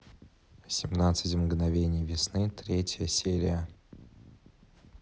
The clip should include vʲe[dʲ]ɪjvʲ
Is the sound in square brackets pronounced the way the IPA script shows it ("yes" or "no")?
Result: no